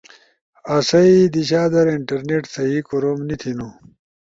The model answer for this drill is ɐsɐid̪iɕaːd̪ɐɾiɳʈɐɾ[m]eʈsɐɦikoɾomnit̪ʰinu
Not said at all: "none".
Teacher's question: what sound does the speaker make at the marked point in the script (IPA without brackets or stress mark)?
n